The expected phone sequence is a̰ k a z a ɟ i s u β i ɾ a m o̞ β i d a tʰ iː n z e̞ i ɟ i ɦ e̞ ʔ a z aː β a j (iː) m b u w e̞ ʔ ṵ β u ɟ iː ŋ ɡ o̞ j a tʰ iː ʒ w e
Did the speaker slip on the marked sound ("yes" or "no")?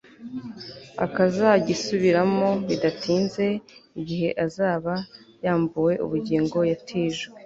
yes